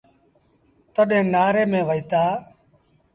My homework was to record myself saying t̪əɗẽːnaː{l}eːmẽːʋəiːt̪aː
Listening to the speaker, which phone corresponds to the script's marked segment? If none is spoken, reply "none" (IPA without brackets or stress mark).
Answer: ɾ